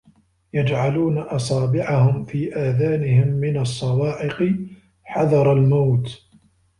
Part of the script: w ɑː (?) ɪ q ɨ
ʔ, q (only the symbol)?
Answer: ʔ